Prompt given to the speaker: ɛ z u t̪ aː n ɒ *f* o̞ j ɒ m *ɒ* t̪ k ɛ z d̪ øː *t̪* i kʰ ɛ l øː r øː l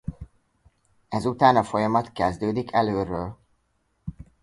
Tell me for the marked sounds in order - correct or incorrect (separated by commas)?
correct, correct, incorrect